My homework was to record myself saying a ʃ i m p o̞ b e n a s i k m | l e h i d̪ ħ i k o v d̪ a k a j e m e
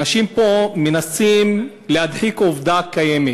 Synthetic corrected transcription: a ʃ i m p o̞ m e n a s i m | l e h a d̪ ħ i k o v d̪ a k a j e m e